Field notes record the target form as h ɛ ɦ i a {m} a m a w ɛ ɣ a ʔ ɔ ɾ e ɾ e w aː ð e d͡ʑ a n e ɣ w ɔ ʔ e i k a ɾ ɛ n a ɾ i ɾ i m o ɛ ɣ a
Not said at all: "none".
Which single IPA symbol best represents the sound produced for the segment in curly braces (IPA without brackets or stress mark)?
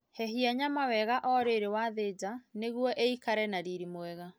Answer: ɲ